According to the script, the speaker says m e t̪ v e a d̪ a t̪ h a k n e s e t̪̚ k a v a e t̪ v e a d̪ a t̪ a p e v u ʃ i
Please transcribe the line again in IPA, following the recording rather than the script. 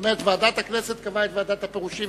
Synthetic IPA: m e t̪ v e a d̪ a t̪ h a k n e s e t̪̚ k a v a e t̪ v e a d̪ a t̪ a p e ʁ u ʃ i